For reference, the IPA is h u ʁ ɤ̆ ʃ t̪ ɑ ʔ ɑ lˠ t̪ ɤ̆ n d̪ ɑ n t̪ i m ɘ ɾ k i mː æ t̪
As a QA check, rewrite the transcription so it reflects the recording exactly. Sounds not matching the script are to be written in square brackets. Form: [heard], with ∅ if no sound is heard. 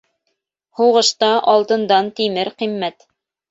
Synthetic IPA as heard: h u ʁ ɤ̆ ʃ t̪ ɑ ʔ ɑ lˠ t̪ ɤ̆ n d̪ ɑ n t̪ i m ɘ ɾ [q] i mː æ t̪